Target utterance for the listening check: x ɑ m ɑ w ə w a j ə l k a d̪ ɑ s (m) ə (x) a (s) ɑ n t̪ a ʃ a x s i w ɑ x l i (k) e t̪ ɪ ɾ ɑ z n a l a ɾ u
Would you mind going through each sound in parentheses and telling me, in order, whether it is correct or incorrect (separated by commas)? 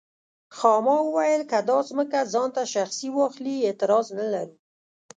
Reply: correct, incorrect, incorrect, incorrect